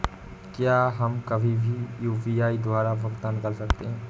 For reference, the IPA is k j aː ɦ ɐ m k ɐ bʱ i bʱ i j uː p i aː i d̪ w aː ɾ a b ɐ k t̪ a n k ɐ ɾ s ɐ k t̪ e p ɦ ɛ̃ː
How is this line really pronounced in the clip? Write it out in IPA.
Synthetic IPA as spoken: k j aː ɦ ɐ m k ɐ bʱ i bʱ i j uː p i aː i d̪ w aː ɾ a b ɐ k t̪ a n k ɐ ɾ s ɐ k t̪ e ɦ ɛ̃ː